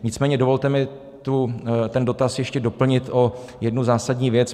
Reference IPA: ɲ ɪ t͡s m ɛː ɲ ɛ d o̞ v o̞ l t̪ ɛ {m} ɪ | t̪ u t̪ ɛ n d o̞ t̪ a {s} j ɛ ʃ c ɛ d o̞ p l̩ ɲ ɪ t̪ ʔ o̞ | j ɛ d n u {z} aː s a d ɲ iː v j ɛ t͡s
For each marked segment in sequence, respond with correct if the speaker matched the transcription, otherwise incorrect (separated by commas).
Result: correct, correct, correct